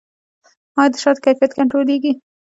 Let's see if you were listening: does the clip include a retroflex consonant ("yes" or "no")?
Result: yes